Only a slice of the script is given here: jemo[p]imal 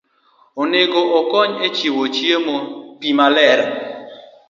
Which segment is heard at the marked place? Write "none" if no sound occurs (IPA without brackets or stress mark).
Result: p